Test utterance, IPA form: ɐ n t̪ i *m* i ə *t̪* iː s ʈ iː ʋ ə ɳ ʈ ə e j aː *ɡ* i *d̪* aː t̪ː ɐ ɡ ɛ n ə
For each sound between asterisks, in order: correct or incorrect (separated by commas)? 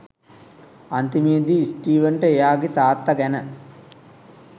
correct, incorrect, correct, incorrect